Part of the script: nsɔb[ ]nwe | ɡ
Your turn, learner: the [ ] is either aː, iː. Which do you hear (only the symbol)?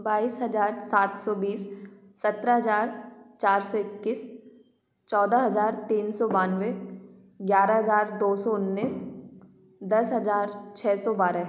aː